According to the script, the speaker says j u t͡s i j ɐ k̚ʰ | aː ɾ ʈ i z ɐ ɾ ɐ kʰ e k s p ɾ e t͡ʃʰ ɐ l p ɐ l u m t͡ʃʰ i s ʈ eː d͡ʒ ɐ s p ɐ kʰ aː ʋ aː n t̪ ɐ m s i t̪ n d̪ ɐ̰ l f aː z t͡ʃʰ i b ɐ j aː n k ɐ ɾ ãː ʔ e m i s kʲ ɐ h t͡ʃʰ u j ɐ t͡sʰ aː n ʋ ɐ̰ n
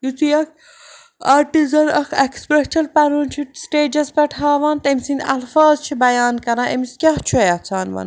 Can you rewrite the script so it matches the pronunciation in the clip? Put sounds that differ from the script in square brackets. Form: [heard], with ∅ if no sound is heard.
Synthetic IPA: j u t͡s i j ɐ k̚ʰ | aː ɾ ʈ i z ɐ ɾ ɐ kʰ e k s p ɾ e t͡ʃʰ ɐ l p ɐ [ɾ] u [n] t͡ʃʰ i s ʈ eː d͡ʒ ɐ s p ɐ [ʈʰ] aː ʋ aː n t̪ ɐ m s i [∅] n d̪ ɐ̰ l f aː z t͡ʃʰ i b ɐ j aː n k ɐ ɾ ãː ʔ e m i s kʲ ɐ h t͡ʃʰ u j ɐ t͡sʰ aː n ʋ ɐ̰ n